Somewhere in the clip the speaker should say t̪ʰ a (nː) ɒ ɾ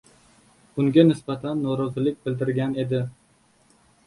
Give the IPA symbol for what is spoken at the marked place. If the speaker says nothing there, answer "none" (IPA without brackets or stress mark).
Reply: nː